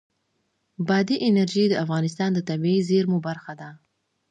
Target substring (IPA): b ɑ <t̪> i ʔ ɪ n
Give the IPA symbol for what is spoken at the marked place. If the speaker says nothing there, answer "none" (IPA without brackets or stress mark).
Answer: d̪